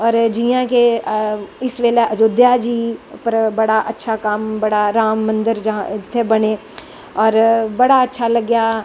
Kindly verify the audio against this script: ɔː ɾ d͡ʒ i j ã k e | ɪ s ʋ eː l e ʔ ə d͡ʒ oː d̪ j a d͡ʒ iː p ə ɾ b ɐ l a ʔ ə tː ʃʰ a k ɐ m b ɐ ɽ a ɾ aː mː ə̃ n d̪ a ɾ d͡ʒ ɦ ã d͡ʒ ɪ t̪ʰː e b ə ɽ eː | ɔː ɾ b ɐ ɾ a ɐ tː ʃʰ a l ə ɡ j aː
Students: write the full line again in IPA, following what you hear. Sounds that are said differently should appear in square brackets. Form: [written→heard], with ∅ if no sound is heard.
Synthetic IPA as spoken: ɔː ɾ d͡ʒ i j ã k e | ɪ s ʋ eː l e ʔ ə d͡ʒ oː d̪ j a d͡ʒ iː p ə ɾ b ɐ [l→ɽ] a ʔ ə tː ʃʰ a k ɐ m b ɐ ɽ a ɾ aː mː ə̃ n d̪ [a→ə] ɾ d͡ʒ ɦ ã d͡ʒ ɪ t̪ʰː e b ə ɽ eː | ɔː ɾ b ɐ [ɾ→ɽ] a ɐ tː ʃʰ a l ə ɡ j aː